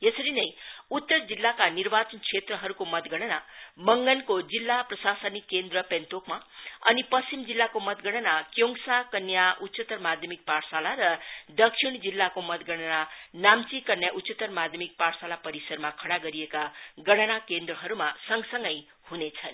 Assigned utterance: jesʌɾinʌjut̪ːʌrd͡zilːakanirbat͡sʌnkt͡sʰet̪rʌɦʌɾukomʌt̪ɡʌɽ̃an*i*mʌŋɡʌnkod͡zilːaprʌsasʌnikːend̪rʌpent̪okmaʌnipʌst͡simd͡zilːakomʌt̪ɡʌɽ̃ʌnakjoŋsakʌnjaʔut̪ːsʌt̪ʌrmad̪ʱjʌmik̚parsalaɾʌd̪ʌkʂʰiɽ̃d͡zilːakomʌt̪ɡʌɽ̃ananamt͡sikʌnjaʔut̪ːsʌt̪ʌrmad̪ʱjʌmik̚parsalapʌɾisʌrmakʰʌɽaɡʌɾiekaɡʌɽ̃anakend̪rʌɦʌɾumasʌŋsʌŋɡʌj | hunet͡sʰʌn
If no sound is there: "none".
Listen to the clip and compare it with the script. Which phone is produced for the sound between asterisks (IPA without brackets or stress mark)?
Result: a